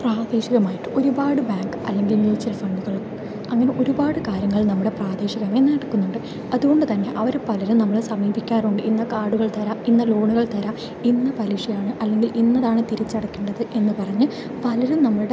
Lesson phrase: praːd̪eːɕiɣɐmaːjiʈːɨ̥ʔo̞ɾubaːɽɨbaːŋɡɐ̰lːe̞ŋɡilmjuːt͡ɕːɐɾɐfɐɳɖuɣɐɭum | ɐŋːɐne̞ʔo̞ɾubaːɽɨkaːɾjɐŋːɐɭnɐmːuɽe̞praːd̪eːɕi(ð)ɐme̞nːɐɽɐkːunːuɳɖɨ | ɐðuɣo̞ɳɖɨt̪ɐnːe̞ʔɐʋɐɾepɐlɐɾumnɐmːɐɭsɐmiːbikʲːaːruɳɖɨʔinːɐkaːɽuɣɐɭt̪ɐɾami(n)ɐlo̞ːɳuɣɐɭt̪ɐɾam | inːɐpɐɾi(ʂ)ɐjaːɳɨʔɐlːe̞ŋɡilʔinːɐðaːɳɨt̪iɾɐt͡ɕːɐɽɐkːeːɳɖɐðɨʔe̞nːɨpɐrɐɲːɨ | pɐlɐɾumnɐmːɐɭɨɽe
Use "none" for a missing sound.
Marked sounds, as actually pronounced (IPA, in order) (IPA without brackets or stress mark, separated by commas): ɣ, nː, ʂ